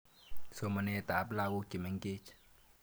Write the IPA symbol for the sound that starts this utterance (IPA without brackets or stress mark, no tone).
s